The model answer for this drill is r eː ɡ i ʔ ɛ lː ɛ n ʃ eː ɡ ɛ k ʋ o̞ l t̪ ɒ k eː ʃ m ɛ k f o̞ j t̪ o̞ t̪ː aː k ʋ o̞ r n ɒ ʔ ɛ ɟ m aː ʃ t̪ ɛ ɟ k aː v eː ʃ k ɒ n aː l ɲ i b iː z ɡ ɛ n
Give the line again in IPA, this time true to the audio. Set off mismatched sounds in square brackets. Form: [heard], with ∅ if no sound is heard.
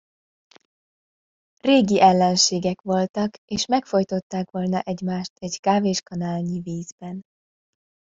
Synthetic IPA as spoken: r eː ɡ i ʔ ɛ lː ɛ n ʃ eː ɡ ɛ k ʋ o̞ l t̪ ɒ k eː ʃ m ɛ k f o̞ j t̪ o̞ t̪ː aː k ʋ o̞ [l] n ɒ ʔ ɛ ɟ m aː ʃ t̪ ɛ ɟ k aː v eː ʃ k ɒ n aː l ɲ i [v] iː z [b] ɛ n